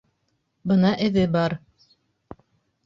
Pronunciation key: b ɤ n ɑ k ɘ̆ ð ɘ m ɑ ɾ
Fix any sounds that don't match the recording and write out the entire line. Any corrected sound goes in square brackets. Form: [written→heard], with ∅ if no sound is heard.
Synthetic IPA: b ɤ n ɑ [k→ʔ] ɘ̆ ð ɘ [m→b] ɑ ɾ